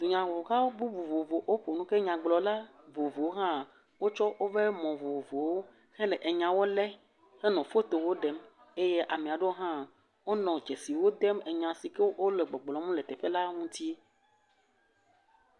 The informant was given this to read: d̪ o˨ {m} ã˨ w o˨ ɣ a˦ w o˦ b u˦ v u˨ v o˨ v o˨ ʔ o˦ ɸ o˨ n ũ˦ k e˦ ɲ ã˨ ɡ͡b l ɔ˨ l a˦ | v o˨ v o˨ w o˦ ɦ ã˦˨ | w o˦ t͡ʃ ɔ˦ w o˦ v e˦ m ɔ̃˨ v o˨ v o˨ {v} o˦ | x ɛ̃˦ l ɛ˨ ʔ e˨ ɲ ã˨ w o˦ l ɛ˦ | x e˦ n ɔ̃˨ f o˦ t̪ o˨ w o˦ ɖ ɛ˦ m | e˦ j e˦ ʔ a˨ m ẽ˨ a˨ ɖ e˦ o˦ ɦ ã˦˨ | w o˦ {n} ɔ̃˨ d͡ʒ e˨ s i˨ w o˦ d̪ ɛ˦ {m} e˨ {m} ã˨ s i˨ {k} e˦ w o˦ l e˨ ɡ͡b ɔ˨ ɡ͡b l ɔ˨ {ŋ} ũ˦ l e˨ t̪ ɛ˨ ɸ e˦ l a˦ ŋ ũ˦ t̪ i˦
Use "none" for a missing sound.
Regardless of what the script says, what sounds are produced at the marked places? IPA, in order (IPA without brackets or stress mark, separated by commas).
ɲ, w, n, m, ɲ, k, m